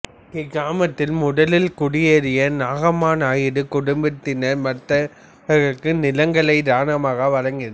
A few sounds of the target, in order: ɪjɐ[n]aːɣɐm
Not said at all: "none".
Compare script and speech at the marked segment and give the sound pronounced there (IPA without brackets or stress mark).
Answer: n